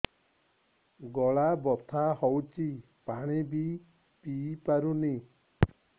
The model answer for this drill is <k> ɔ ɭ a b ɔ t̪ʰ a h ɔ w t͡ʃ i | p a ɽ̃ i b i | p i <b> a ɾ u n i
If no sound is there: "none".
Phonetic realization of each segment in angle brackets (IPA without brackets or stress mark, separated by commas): ɡ, p